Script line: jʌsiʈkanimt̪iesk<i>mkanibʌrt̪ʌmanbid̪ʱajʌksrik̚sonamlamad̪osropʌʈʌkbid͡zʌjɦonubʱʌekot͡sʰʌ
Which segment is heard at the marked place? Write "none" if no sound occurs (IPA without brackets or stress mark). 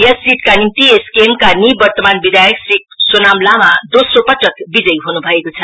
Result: e